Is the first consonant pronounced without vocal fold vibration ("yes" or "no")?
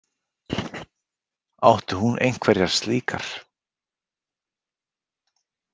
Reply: no